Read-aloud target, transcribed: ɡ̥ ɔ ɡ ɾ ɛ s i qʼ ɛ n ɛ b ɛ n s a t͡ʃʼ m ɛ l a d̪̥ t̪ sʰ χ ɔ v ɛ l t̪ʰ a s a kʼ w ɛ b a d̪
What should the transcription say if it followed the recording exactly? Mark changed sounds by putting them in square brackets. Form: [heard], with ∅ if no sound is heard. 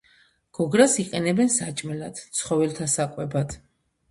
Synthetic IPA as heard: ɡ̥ ɔ ɡ ɾ [a] s i qʼ ɛ n ɛ b ɛ n s a t͡ʃʼ m ɛ l a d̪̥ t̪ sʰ χ ɔ v ɛ l t̪ʰ a s a kʼ w ɛ b a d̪

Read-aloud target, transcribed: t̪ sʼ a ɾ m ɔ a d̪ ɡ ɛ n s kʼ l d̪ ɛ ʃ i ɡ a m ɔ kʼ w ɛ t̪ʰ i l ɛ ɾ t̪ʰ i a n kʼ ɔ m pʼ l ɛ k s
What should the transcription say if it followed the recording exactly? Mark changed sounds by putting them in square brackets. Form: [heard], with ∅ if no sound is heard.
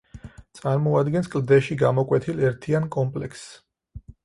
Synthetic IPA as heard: t̪ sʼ a ɾ m ɔ a d̪ ɡ ɛ n s kʼ l d̪ ɛ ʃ i ɡ a m ɔ kʼ w ɛ t̪ʰ i l ɛ ɾ t̪ʰ i a n kʼ ɔ m pʼ l ɛ k s

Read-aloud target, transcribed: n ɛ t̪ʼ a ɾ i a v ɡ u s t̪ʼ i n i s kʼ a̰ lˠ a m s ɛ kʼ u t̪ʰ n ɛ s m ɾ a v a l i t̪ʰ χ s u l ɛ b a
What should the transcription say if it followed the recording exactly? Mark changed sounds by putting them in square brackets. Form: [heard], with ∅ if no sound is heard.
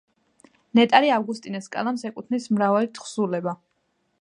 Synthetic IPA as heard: n ɛ t̪ʼ a ɾ i a v ɡ u s t̪ʼ i n [ɛ] s kʼ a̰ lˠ a m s ɛ kʼ u t̪ʰ n [i] s m ɾ a v a l i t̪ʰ χ s u l ɛ b a

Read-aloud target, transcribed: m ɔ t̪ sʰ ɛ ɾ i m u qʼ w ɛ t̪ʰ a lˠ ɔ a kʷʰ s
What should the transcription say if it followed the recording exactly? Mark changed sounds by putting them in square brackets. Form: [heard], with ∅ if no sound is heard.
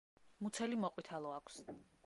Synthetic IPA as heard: m [u] t̪ sʰ ɛ [l] i m [ɔ] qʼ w [i] t̪ʰ a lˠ ɔ a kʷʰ s

